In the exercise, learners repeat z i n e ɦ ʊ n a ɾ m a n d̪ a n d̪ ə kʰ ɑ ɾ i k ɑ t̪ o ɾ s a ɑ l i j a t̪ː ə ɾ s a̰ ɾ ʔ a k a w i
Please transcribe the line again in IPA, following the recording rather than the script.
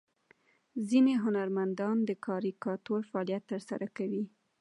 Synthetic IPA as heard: z i n e ɦ ʊ n a ɾ m a n d̪ ɑ n d̪ ə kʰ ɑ ɾ i k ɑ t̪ o ɾ f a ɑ l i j a t̪ː ə ɾ s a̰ ɾ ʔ a k a w i